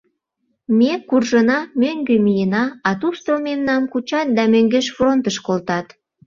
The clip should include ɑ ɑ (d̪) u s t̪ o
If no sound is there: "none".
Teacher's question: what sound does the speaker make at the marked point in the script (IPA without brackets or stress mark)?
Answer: t̪